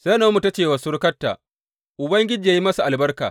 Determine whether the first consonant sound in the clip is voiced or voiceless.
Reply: voiceless